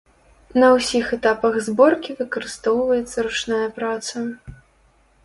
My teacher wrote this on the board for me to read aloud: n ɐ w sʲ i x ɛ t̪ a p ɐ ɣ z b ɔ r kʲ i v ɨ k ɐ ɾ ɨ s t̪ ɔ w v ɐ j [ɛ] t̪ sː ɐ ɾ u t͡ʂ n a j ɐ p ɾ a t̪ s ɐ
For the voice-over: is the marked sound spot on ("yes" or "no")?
yes